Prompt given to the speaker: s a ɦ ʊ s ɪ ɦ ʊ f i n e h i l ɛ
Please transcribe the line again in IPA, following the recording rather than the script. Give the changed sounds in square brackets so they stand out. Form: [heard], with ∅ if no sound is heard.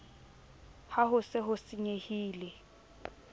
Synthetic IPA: [h] a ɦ ʊ s ɪ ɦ ʊ [s] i [ɲ] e h [iː] l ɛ